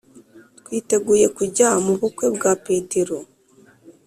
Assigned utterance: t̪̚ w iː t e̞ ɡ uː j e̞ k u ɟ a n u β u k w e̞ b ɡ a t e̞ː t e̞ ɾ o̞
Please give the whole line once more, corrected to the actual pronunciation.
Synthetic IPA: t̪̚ w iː t e̞ ɡ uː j e̞ k u ɟ a m u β u k w e̞ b ɡ a p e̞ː t e̞ ɾ o̞